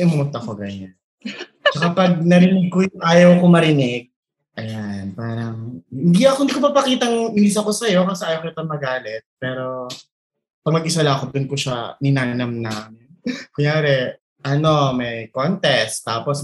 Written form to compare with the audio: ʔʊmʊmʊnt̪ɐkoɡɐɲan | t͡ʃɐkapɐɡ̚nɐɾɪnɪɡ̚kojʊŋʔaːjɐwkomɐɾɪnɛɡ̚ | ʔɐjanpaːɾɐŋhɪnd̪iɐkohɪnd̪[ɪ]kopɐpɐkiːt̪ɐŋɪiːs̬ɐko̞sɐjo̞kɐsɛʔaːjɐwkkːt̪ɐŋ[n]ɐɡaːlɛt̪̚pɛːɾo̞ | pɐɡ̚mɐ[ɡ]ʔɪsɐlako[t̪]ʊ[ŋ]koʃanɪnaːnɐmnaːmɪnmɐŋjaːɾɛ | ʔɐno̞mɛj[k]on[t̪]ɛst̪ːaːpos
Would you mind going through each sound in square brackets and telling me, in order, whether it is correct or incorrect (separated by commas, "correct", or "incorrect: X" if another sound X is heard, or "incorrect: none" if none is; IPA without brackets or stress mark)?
incorrect: i, incorrect: m, correct, incorrect: d̪, incorrect: n, correct, correct